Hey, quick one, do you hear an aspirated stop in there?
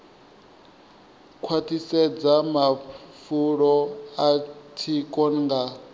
yes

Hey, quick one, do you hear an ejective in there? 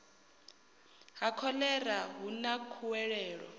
no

